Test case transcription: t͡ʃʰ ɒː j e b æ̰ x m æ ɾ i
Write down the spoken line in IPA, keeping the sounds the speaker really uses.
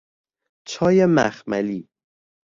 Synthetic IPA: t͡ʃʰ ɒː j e m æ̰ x m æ l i